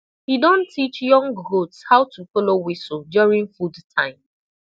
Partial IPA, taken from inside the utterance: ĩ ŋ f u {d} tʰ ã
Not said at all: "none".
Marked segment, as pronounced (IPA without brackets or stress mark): d